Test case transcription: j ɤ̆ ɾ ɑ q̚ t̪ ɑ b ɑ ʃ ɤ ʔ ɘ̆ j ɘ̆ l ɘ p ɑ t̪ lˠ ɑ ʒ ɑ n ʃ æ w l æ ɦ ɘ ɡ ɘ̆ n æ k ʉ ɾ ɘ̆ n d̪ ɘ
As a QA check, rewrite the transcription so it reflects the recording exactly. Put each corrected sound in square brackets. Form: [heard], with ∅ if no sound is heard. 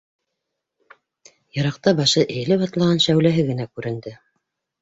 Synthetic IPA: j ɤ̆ ɾ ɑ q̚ t̪ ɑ b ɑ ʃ ɤ ʔ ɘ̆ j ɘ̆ l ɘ p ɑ t̪ lˠ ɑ [ʁ] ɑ n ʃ æ w l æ ɦ ɘ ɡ ɘ̆ n æ k ʉ ɾ ɘ̆ n d̪ ɘ